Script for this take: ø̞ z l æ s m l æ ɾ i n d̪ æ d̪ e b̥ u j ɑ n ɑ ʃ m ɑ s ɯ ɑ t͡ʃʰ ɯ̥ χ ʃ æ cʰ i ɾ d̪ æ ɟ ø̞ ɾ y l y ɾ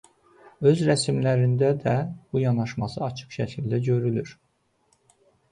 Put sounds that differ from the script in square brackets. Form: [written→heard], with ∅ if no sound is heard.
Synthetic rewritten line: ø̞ z [l→ɾ] æ s m l æ ɾ i n d̪ æ d̪ [e→æ] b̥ u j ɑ n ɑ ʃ m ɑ s ɯ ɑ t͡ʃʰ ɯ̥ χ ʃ æ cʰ i [ɾ→l] d̪ æ ɟ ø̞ ɾ y l y ɾ